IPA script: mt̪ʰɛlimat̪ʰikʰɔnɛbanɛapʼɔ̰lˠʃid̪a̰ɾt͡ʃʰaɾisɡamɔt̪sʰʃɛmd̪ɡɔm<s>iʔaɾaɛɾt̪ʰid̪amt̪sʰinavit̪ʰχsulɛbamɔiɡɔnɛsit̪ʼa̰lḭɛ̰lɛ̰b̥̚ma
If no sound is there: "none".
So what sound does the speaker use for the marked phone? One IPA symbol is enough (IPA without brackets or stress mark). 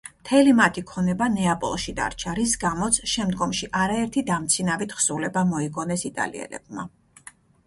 ʃ